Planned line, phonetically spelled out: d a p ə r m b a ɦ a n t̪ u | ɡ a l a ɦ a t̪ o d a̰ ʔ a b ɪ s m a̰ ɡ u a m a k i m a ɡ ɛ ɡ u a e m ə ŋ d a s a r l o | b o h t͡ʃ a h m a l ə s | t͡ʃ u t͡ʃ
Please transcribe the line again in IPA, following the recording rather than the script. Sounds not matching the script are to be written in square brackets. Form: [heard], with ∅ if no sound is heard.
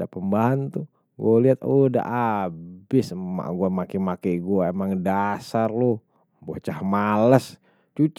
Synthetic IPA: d a p ə [∅] m b a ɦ a n t̪ u | ɡ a l [i] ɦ a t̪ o d a̰ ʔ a b ɪ s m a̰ ɡ u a m a k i m a [k] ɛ ɡ u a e m [a] ŋ d a s a r l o | b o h t͡ʃ a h m a l ə s | t͡ʃ u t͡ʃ

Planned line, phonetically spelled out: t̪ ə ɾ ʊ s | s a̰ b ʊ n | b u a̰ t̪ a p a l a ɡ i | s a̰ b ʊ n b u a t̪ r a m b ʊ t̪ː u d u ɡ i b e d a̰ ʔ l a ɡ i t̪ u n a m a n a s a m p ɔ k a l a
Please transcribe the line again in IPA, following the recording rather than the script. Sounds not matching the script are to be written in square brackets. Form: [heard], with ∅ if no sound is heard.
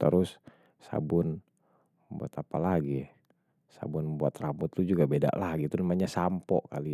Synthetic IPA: t̪ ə ɾ ʊ s | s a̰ b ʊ n | b u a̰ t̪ a p a l a ɡ i | s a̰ b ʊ n b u a t̪ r a m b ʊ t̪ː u [d͡ʒ] u ɡ [a] b e d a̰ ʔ l a ɡ i t̪ u n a m a [ɲ] a s a m p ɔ k a l [i]

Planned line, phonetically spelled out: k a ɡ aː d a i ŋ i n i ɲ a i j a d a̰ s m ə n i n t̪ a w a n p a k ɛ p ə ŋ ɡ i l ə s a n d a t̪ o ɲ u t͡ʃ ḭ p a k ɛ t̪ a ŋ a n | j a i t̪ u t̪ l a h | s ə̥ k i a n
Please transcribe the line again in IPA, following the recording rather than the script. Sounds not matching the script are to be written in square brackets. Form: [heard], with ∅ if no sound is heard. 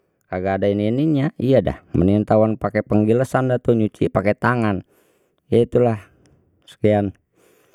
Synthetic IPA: k a ɡ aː d a i [n] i n i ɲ a i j a d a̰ [h] m ə n i n t̪ a w a n p a k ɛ p ə ŋ ɡ i l ə s a n d a t̪ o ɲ u t͡ʃ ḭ p a k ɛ t̪ a ŋ a n | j a i t̪ u [∅] l a h | s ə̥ k i a n

